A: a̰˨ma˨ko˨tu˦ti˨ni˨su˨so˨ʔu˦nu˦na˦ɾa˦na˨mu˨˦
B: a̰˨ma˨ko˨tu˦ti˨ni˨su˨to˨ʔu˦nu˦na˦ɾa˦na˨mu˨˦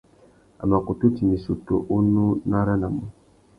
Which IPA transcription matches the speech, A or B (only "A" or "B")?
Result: B